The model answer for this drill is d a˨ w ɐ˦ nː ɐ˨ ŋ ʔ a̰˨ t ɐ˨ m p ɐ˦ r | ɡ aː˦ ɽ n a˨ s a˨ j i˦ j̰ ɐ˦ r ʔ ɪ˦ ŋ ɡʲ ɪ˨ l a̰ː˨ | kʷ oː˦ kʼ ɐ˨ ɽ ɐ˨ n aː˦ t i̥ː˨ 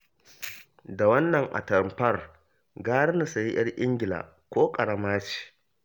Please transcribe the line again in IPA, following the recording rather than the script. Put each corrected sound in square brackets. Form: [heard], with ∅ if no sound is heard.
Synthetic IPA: d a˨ w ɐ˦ nː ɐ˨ ŋ ʔ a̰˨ t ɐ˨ m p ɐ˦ r | ɡ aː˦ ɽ n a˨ s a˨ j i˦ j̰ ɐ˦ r ʔ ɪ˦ ŋ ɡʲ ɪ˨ l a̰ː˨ | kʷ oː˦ kʼ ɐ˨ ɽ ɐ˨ [m] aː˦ [t͡ʃ] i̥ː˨